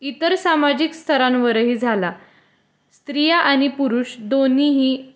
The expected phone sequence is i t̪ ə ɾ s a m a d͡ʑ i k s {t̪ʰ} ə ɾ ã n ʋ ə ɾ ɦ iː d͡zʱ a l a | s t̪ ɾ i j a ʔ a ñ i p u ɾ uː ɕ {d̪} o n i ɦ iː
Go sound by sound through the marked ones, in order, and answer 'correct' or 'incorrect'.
correct, correct

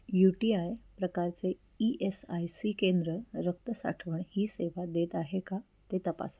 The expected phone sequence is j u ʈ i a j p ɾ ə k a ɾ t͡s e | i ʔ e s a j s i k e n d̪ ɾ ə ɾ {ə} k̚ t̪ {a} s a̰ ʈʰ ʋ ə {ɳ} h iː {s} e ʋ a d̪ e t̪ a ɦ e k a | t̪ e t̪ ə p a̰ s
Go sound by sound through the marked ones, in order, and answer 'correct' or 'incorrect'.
correct, incorrect, correct, correct

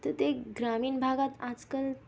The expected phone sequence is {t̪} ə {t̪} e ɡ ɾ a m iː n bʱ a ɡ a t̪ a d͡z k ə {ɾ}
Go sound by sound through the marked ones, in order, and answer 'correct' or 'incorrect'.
correct, correct, incorrect

